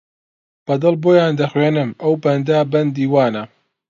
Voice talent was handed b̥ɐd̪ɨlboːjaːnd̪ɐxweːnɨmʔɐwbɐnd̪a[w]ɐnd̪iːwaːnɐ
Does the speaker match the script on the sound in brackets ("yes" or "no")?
no